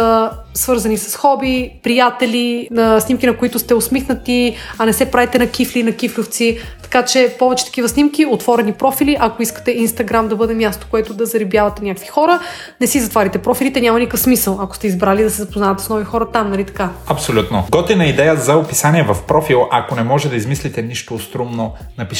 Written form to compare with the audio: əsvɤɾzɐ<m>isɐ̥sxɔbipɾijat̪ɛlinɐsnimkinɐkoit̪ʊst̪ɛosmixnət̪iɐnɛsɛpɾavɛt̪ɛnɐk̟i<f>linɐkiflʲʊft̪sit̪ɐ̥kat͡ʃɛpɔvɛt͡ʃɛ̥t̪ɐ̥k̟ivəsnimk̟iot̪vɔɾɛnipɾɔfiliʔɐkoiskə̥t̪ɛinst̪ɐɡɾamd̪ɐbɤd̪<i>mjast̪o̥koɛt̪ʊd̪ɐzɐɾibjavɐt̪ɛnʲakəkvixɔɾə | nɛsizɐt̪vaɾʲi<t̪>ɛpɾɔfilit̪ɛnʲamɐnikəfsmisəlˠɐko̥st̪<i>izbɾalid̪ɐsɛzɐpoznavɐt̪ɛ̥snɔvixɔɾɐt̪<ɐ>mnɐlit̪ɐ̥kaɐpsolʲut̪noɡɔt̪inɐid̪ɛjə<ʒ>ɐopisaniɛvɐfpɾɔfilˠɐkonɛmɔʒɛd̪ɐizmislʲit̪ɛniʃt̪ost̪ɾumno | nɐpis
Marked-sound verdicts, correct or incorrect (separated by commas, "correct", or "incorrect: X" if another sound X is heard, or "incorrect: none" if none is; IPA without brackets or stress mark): incorrect: n, correct, incorrect: ɛ, correct, incorrect: ɛ, incorrect: a, incorrect: z